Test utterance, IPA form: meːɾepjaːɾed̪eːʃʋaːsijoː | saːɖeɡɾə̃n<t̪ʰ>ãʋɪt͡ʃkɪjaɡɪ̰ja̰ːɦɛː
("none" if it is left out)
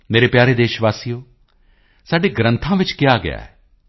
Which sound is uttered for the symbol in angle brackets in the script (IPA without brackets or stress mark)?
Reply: t̪ʰ